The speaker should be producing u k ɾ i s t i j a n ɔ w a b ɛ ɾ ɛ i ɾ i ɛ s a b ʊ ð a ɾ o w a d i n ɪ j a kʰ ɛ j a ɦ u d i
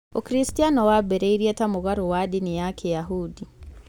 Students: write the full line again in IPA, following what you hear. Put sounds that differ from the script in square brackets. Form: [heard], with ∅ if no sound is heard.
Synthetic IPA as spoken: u k ɾ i s t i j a n ɔ w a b ɛ ɾ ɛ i ɾ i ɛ [t] a [m] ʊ [ɣ] a ɾ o w a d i n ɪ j a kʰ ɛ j a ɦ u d i